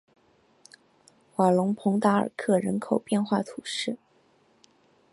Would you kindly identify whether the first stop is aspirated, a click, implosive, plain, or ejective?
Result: aspirated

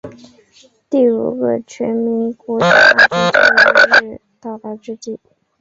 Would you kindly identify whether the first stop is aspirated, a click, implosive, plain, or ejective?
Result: plain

